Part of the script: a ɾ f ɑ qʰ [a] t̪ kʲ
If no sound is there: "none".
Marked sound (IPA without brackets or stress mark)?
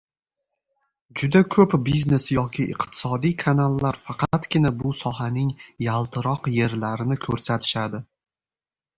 ɑ